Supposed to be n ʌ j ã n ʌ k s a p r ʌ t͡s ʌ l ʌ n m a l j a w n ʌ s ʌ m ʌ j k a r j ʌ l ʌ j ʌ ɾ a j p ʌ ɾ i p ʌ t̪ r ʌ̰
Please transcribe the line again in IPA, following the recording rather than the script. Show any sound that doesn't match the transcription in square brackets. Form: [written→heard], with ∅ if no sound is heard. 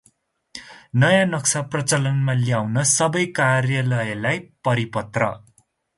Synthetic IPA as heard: n ʌ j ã n ʌ k s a p r ʌ t͡s ʌ l ʌ n m a l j a w n ʌ s ʌ [m→b] ʌ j k a r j ʌ l ʌ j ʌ [ɾ→l] a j p ʌ ɾ i p ʌ t̪ r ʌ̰